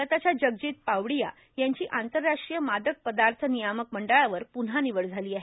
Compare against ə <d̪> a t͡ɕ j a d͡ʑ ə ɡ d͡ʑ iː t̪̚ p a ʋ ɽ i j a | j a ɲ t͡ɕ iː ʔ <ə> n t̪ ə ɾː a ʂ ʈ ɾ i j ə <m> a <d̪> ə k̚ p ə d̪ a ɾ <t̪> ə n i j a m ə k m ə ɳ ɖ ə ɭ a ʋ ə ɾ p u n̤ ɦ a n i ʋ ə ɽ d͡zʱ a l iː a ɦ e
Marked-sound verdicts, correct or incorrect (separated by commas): incorrect, incorrect, correct, correct, incorrect